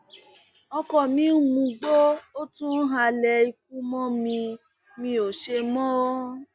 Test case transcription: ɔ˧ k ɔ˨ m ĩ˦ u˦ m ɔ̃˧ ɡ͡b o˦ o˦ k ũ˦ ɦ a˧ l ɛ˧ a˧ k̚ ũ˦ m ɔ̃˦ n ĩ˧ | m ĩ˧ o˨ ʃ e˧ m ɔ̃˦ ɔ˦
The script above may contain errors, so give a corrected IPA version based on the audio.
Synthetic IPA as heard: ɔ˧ k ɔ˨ m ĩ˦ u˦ m ũ˧ ɡ͡b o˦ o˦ t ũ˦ ɦ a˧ l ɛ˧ i˧ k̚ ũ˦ m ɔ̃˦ m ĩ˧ | m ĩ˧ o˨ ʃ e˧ m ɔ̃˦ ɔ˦